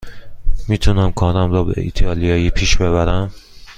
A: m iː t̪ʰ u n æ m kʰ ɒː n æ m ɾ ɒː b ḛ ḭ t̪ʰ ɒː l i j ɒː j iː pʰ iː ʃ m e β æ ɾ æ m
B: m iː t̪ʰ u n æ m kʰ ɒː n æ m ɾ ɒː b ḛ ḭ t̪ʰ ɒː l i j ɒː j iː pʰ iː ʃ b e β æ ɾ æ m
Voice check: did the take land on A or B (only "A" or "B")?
B